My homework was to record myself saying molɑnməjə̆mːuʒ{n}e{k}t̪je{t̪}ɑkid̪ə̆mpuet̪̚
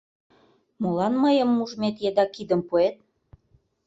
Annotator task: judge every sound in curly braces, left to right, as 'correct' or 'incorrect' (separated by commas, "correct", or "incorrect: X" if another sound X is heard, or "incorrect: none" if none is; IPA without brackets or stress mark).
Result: incorrect: m, incorrect: none, incorrect: d̪